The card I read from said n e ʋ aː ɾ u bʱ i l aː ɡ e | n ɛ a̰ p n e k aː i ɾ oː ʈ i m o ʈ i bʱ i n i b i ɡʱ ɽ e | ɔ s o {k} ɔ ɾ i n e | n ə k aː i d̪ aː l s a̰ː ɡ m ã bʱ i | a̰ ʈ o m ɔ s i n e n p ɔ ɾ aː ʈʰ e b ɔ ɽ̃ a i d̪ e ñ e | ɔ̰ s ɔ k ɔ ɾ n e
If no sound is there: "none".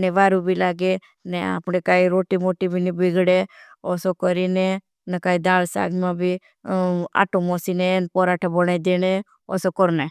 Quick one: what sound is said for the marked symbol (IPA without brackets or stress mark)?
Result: k